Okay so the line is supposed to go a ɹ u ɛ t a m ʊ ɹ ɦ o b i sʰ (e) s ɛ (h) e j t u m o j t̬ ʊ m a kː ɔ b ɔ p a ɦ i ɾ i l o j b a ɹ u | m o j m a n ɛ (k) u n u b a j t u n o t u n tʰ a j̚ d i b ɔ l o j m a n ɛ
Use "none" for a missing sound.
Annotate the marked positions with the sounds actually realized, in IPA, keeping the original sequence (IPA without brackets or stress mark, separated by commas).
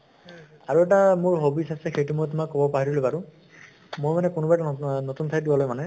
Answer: a, x, k